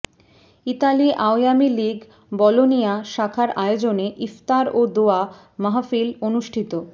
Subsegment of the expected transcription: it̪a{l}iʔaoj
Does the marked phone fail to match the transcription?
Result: no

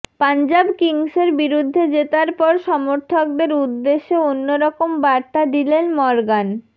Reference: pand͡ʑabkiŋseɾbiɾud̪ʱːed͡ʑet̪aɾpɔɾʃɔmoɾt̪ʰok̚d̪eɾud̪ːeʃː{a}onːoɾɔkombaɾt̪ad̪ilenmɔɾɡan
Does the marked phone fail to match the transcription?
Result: yes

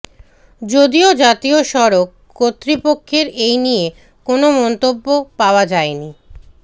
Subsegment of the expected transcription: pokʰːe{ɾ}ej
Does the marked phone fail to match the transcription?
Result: no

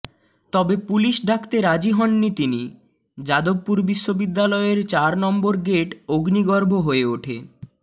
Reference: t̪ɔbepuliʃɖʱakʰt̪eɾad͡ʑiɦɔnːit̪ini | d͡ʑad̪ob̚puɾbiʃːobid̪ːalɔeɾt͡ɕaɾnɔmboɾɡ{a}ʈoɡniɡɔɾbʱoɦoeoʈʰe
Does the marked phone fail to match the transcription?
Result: yes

